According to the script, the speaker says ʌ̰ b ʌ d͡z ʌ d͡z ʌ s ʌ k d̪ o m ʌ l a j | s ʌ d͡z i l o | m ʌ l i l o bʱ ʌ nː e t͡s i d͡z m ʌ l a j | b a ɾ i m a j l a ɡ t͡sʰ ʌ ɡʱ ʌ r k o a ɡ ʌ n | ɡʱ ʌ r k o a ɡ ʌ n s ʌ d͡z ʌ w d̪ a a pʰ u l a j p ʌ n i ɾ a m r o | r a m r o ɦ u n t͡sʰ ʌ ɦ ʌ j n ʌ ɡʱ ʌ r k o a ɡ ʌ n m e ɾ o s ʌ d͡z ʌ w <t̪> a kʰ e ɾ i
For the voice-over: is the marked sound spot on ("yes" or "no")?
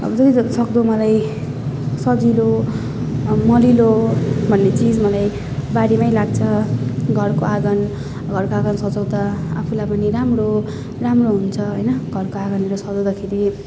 no